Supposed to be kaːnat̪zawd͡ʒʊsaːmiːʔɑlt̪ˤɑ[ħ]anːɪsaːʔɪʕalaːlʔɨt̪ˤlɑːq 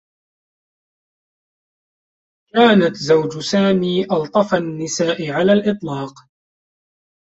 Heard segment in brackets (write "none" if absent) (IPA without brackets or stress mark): f